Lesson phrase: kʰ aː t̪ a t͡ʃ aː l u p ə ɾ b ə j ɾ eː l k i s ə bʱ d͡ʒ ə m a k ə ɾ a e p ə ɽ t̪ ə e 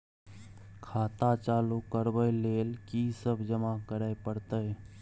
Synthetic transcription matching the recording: kʰ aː t̪ a t͡ʃ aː l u k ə ɾ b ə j l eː l k i s ə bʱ d͡ʒ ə m a k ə ɾ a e p ə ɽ t̪ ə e